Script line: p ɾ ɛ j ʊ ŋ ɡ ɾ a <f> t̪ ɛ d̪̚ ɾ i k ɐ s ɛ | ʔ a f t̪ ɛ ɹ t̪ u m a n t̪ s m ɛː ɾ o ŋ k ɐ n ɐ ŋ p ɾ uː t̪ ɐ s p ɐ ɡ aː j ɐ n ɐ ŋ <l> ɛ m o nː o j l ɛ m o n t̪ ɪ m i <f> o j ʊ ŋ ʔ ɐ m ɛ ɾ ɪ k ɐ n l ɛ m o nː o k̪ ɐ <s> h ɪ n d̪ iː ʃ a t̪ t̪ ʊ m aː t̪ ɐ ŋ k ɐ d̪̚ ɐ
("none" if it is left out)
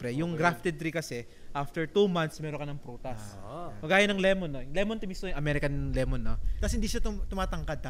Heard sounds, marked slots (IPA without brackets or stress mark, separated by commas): f, l, s, s